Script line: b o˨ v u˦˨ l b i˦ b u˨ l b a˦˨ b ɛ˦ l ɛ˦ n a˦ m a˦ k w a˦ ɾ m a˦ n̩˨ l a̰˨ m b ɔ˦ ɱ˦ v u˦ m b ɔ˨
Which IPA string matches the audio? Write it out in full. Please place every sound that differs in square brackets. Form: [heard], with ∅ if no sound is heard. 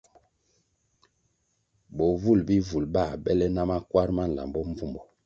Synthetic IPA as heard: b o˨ v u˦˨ l b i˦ [v] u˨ l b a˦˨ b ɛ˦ l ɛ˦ n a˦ m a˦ k w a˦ ɾ m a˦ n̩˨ l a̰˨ m b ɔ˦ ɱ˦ v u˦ m b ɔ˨